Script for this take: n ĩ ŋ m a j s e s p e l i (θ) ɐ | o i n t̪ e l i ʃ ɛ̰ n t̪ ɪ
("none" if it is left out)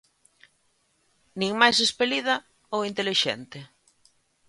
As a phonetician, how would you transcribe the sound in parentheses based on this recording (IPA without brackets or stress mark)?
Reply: ð